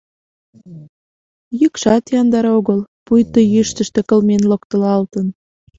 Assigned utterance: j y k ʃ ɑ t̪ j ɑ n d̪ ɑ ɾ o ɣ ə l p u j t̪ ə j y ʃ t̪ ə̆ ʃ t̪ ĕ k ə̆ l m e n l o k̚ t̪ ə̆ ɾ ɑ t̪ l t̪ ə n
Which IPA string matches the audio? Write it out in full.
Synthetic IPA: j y k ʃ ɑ t̪ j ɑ n d̪ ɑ ɾ o ɣ ə l p u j t̪ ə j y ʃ t̪ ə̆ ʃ t̪ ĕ k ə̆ l m e n l o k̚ t̪ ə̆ l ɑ l t̪ ə n